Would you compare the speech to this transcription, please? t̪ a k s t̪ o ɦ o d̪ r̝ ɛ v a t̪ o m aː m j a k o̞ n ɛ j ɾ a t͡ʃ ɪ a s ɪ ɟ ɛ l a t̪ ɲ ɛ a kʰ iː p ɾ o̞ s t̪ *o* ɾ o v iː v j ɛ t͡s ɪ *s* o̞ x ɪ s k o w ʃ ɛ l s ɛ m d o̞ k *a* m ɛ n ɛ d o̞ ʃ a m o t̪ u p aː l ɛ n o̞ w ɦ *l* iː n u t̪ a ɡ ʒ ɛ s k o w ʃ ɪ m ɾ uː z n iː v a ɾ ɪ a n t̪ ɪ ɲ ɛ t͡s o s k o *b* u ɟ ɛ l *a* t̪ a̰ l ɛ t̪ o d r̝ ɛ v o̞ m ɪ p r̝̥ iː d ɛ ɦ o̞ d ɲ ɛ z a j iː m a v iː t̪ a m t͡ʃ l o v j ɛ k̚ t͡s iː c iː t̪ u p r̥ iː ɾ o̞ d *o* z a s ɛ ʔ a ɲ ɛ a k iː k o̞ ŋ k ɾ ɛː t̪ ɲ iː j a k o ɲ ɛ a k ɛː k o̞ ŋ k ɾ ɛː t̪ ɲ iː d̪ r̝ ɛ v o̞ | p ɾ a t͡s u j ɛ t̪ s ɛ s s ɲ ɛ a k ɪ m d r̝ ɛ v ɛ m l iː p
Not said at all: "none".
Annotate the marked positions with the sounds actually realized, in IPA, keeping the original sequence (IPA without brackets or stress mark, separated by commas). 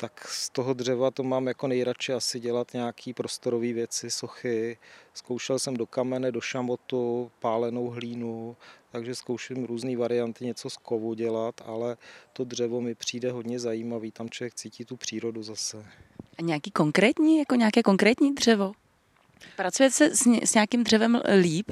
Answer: o, s, a, l, v, a, u